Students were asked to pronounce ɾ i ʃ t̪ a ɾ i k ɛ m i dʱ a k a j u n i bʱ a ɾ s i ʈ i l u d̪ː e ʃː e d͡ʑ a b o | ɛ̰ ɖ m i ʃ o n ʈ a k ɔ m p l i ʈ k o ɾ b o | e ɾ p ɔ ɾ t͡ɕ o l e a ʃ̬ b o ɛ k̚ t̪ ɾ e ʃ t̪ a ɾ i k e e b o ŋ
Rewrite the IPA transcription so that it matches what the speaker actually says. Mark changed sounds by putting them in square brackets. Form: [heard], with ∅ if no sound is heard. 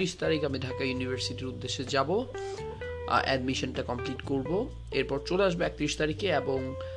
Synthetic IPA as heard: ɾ i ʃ t̪ a ɾ i k [a] m i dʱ a k a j u n i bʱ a ɾ s i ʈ i [ɾ] u d̪ː e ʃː e d͡ʑ a b o | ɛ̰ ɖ m i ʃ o n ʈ a k ɔ m p l i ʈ k o ɾ b o | e ɾ p ɔ ɾ t͡ɕ o l e a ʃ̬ b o ɛ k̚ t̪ ɾ [i] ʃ t̪ a ɾ i k e e b o ŋ